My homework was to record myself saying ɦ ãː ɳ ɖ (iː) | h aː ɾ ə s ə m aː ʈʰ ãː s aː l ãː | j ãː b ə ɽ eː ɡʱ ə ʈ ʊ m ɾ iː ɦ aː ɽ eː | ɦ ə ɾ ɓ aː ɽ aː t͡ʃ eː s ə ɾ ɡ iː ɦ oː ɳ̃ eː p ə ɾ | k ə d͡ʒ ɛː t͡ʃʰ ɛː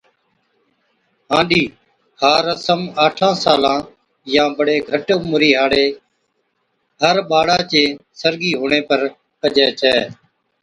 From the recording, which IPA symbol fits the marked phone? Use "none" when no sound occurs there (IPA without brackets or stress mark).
iː